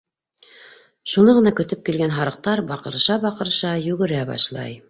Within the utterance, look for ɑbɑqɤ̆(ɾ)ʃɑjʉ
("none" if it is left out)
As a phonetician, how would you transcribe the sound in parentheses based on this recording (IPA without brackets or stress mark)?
ɾ